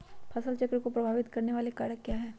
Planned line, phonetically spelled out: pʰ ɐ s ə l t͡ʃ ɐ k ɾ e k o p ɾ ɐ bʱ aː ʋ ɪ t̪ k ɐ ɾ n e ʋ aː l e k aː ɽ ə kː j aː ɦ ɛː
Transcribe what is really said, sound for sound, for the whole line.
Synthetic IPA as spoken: pʰ ɐ s ə l t͡ʃ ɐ k ɾ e k o p ɾ ɐ bʱ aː ʋ ɪ t̪ k ɐ ɾ n e ʋ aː l e k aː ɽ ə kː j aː ɦ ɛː